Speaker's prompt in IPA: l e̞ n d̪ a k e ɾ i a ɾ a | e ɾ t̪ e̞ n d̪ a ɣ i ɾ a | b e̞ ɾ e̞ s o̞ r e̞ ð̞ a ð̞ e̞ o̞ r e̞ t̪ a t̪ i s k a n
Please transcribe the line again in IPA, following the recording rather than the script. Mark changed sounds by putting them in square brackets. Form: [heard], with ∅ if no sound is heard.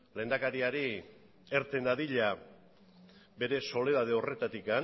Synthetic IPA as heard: l e̞ n d̪ a k [a] ɾ i a ɾ [i] | e ɾ t̪ e̞ n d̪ a [ð] i [ʎ] a | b e̞ ɾ e̞ s o̞ [l] e̞ ð̞ a ð̞ e̞ o̞ r e̞ t̪ a t̪ i [∅] k a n